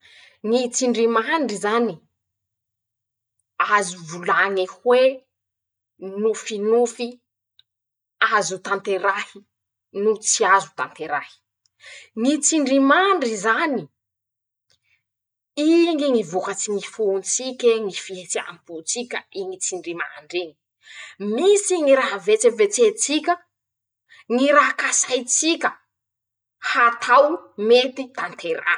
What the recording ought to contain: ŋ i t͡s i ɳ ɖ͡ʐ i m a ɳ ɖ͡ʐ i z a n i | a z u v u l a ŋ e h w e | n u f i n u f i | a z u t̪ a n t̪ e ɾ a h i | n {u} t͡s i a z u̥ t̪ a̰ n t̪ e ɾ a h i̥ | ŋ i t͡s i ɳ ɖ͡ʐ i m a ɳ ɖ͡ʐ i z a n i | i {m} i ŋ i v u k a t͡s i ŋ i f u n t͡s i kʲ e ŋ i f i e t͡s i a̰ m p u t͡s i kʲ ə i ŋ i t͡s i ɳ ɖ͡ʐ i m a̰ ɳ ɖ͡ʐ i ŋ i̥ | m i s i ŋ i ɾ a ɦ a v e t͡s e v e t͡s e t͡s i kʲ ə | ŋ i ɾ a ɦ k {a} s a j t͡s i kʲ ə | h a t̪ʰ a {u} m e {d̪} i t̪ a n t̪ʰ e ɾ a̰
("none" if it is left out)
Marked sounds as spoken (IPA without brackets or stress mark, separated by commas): u, ŋ, a, w, t̪